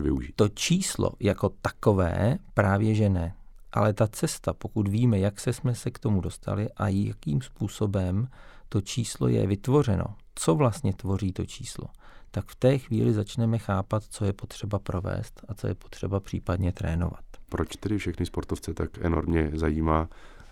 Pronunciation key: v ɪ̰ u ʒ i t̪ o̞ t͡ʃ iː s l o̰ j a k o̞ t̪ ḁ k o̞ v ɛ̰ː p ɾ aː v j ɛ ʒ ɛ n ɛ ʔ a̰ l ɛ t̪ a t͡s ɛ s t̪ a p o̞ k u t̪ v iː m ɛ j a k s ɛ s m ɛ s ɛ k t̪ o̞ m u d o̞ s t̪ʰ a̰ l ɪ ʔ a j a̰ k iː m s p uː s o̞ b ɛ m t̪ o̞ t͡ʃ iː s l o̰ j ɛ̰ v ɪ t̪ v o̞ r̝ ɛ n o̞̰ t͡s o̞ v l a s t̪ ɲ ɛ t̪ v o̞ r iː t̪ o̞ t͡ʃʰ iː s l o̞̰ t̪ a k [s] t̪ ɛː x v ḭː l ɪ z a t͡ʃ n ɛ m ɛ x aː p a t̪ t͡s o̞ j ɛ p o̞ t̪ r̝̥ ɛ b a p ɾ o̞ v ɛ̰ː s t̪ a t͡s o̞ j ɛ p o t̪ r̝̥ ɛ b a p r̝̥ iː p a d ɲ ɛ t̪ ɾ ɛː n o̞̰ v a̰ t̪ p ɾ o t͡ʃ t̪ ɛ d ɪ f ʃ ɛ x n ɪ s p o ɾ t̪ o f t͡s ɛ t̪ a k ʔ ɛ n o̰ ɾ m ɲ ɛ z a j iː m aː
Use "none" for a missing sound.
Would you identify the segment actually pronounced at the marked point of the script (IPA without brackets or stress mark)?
f